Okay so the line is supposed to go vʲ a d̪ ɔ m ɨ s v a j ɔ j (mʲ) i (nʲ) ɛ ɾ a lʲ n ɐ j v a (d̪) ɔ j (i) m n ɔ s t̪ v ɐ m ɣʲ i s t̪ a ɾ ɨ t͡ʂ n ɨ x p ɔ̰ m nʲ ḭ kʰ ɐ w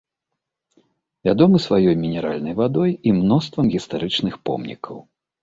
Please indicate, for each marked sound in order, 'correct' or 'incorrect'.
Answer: correct, correct, correct, correct

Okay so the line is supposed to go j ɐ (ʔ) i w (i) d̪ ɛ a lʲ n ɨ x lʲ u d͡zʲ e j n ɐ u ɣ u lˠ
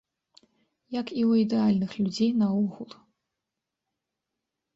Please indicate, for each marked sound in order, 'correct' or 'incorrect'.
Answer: incorrect, correct

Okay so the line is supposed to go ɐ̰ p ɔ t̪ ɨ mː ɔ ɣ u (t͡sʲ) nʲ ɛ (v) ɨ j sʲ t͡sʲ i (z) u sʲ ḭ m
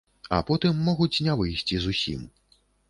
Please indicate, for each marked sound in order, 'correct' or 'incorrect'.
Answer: correct, correct, correct

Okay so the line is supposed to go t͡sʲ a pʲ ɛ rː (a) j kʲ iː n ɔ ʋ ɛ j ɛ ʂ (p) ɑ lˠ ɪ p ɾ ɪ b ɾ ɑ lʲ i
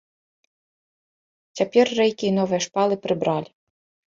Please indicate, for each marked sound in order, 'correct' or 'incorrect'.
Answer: incorrect, correct

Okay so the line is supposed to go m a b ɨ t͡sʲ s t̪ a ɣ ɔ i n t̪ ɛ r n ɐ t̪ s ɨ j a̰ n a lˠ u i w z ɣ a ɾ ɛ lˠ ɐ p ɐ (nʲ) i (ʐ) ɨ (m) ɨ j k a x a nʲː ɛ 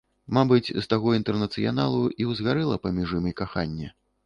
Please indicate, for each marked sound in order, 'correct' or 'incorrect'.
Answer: incorrect, correct, correct

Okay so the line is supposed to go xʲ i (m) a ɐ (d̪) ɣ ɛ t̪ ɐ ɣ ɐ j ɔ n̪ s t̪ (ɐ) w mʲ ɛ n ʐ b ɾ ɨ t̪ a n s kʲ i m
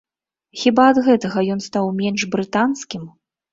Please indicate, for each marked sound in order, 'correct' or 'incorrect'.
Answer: incorrect, correct, incorrect

